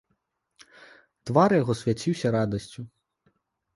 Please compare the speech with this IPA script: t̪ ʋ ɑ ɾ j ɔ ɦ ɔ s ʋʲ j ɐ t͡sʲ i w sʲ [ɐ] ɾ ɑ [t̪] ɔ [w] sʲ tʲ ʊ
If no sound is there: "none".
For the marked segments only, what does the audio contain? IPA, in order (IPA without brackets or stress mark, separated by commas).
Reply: ɐ, d̪, none